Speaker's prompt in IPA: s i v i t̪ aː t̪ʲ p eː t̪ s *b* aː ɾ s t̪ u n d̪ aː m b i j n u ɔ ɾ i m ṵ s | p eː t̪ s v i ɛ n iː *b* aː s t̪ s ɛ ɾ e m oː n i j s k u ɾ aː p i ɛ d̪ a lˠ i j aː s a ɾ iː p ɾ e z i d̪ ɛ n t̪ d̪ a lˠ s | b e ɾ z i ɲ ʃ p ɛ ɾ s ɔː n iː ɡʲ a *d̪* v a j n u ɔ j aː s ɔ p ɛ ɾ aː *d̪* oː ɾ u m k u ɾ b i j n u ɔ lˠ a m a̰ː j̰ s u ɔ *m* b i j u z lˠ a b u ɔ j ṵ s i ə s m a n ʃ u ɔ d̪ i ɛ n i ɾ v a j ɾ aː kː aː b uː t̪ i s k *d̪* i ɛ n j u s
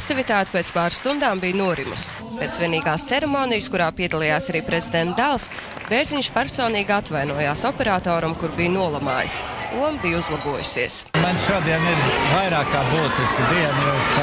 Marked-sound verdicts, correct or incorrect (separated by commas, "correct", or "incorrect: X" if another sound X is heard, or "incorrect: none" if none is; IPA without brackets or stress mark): incorrect: p, incorrect: ɡ, incorrect: t̪, incorrect: t̪, correct, correct